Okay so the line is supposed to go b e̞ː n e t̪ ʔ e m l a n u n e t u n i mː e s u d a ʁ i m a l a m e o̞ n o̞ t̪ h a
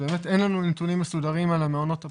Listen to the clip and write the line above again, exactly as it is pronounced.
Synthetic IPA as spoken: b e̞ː m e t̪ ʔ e n l a n u n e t u n i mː e s u d a ʁ i m a l a m e o̞ n o̞ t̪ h a